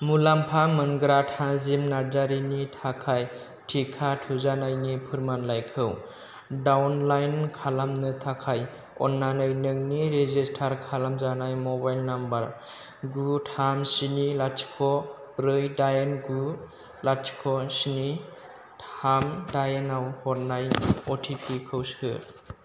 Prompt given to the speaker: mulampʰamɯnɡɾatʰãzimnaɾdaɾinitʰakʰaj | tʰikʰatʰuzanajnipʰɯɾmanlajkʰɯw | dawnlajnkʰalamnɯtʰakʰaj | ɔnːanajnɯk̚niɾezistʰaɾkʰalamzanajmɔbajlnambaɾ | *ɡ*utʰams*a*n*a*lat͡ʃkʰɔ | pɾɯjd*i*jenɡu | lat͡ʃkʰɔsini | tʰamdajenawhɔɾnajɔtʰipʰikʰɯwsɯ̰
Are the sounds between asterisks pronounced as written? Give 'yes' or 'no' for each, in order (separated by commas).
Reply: yes, no, no, no